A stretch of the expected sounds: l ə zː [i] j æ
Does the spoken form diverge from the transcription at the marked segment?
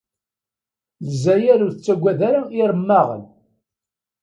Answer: yes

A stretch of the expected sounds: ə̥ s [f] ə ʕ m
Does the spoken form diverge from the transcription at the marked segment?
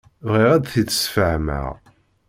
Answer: no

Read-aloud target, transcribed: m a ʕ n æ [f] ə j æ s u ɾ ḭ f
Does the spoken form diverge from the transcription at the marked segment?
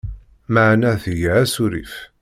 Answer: yes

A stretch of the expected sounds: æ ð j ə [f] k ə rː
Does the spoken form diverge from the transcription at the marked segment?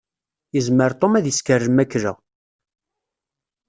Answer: yes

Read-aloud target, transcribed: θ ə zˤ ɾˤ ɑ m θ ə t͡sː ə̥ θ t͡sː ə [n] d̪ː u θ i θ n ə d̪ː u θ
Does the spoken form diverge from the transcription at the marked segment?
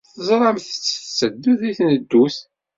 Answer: yes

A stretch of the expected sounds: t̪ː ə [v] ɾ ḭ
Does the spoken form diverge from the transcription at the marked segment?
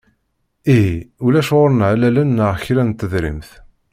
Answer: yes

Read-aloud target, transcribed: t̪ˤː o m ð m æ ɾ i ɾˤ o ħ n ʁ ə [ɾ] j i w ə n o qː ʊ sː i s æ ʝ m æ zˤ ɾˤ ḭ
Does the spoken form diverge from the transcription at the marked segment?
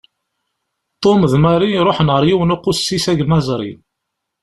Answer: no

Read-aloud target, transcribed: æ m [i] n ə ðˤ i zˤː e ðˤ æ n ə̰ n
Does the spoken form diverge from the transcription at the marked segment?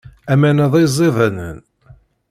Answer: yes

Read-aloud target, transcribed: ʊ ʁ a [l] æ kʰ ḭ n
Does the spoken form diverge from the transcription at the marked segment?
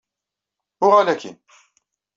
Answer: no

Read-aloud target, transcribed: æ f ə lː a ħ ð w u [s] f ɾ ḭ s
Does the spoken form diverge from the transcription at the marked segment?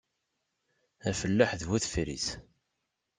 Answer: yes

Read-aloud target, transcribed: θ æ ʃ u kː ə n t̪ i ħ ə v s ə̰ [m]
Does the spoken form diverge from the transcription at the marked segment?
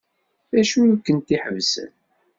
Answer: yes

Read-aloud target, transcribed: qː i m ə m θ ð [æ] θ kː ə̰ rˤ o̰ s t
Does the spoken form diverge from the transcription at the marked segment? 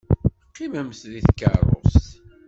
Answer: yes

